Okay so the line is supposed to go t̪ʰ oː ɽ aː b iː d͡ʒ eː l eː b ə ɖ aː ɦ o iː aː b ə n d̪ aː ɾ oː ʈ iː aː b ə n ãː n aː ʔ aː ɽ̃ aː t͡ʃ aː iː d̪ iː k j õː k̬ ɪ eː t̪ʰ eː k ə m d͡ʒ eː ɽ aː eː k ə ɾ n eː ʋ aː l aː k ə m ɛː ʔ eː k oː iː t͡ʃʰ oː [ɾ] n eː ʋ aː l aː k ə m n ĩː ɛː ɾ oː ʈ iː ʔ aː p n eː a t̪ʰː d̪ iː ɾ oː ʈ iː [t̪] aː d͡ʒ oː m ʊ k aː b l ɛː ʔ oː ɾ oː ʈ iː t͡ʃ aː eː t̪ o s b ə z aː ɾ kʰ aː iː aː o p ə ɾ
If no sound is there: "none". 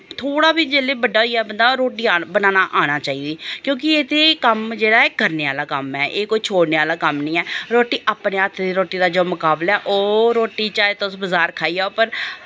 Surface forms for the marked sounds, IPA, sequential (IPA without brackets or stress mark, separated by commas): ɽ, d̪